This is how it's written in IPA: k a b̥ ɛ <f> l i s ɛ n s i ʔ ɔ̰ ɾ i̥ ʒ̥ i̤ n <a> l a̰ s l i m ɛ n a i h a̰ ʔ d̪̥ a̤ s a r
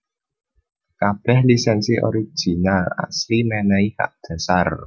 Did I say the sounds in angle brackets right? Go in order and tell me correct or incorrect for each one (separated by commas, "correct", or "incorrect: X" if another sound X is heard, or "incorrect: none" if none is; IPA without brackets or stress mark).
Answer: incorrect: h, correct